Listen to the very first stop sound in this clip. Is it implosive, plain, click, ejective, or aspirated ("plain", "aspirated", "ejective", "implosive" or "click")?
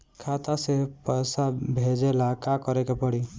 aspirated